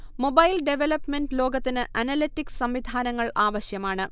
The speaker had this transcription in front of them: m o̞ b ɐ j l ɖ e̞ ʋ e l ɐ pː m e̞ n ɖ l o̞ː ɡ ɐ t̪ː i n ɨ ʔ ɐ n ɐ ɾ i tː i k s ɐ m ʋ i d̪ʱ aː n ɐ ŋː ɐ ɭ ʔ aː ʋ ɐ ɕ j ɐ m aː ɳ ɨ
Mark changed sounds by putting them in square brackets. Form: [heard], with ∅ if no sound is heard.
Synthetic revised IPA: m o̞ b ɐ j l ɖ e̞ ʋ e l ɐ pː m e̞ n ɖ l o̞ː ɡ ɐ t̪ː i n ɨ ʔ ɐ n ɐ [l] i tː i k s ɐ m ʋ i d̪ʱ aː n ɐ ŋː ɐ ɭ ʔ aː ʋ ɐ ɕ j ɐ m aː ɳ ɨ